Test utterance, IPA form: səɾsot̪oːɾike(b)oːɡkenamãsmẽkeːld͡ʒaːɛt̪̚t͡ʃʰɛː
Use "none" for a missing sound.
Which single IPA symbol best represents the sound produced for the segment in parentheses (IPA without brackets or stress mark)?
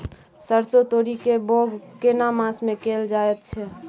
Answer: b